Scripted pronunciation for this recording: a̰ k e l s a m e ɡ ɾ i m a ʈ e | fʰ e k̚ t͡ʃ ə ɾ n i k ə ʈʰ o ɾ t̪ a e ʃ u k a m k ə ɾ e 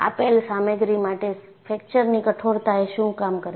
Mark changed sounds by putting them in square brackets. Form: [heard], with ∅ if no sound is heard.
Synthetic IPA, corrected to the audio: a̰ [p] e l s a m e ɡ ɾ i m a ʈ e | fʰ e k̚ t͡ʃ ə ɾ n i k ə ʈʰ o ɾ t̪ a e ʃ [ũ] k a m k ə ɾ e